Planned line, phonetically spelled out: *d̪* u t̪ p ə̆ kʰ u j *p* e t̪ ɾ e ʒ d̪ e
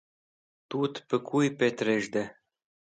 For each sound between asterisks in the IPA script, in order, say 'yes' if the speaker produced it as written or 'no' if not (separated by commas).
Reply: no, yes